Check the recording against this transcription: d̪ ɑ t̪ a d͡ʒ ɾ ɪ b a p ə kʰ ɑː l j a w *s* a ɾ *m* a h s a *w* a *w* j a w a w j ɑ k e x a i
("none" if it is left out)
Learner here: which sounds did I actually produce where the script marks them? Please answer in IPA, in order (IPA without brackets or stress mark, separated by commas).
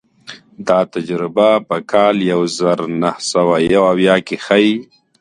z, n, w, none